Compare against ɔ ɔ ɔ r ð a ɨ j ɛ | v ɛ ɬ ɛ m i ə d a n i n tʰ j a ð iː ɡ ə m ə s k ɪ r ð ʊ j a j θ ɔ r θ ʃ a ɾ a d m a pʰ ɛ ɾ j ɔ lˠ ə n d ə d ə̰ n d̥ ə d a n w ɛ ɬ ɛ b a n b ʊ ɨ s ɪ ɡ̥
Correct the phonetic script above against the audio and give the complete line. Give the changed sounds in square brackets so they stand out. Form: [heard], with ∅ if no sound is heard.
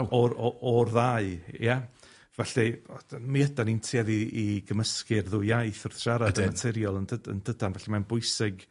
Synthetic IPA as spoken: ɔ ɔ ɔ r ð a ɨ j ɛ | v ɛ ɬ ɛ m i ə d a n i n tʰ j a ð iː ɡ ə m ə s k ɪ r ð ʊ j a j θ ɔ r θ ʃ a ɾ a d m a [tʰ] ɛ ɾ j ɔ lˠ ə n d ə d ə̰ n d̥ ə d a n [v] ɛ ɬ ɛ [m] a n b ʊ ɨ s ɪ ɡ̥

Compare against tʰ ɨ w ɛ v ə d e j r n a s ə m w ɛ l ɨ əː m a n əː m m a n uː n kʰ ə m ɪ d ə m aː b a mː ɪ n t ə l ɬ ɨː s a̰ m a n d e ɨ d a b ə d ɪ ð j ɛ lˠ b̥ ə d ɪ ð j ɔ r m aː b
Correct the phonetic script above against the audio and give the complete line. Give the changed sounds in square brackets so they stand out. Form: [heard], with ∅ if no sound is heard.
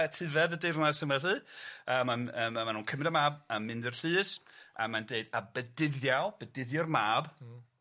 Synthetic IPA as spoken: tʰ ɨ [v] ɛ [ð] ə d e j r n a s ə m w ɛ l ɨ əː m a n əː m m a n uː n kʰ ə m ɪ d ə m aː b a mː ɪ n [d] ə [r] ɬ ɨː s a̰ m a n d e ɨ d a b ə d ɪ ð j [a] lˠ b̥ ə d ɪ ð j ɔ r m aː b

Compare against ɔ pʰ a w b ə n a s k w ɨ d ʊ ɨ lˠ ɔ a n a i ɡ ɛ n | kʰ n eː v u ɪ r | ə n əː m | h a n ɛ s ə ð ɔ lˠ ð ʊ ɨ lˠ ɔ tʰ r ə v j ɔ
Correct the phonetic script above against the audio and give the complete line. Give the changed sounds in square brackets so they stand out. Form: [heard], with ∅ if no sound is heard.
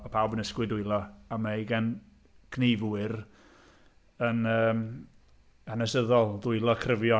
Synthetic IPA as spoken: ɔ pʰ a w b ə n [ə] s k w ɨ d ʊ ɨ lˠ ɔ a [m] a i ɡ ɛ n | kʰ n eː v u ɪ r | ə n əː m | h a n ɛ s ə ð ɔ lˠ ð ʊ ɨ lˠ ɔ [kʰ] r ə v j ɔ

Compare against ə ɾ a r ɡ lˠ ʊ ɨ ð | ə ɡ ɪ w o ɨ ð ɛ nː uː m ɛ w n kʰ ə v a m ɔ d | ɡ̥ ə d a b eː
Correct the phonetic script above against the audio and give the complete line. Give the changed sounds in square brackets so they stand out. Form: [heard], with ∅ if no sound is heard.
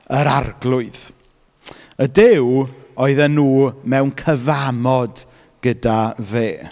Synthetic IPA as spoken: ə ɾ a r ɡ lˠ ʊ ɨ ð | ə [d] ɪ w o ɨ ð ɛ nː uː m ɛ w n kʰ ə v a m ɔ d | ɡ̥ ə d a [v] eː

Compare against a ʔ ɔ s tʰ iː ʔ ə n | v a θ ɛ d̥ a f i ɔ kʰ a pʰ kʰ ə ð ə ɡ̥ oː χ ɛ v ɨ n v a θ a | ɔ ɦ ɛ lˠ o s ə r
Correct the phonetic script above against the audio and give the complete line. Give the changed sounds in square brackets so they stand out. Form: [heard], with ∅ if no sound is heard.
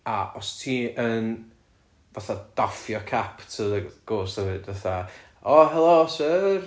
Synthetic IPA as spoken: a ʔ ɔ s tʰ iː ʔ ə n | v a θ [a] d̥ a f [j] ɔ kʰ a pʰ [tʰ] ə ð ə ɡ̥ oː [s] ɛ v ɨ [d] v a θ a | ɔ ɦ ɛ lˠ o s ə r

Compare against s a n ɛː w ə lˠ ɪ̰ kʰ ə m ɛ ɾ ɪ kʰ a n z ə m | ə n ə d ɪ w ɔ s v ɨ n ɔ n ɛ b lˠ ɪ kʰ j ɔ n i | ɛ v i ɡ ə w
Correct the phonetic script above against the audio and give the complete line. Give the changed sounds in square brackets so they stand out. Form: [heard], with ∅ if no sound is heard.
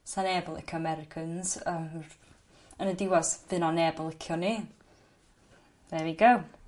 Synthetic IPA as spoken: s a n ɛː [b] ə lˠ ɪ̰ kʰ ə m ɛ ɾ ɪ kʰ [ə] n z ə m | ə n ə d ɪ w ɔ s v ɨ n ɔ n ɛ b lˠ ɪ kʰ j ɔ n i | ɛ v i ɡ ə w

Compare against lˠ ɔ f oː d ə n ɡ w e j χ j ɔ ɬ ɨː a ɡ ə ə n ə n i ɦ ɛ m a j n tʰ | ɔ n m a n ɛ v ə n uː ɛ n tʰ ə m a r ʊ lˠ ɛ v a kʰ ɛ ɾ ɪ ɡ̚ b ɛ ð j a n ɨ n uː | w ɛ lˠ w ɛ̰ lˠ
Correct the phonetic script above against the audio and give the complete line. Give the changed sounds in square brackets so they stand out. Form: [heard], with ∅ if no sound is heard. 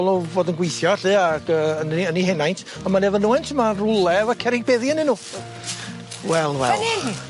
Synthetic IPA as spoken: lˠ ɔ [v] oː d ə n ɡ w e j [θ] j ɔ ɬ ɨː a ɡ ə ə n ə n i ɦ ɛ [n] a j n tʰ | ɔ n m a n ɛ v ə n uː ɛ n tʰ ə m a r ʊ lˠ ɛ v a kʰ ɛ ɾ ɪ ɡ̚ b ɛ ð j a n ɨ n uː | w ɛ lˠ w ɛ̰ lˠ

